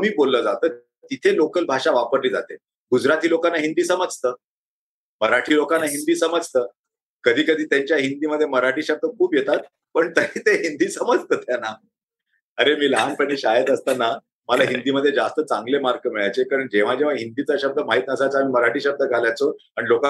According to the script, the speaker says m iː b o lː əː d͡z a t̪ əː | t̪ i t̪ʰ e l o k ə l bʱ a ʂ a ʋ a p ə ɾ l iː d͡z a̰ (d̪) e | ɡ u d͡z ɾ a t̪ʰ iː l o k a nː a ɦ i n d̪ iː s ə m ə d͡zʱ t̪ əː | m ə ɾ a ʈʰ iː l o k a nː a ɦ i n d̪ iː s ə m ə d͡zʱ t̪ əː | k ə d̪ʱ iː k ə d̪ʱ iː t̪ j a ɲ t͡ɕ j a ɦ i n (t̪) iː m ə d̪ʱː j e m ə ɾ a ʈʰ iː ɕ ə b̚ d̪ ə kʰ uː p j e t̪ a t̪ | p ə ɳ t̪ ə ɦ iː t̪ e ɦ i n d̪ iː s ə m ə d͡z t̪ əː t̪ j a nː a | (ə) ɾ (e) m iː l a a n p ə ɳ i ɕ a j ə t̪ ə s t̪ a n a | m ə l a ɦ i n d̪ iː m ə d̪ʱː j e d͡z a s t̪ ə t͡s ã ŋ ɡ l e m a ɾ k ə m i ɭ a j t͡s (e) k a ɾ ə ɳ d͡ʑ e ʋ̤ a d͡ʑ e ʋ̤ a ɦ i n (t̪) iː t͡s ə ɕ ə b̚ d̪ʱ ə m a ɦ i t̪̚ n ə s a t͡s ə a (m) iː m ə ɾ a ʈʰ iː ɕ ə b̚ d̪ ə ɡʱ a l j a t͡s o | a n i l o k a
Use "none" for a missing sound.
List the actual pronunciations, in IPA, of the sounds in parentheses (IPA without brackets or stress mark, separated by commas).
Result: t̪, d̪, ə, e, e, d̪, m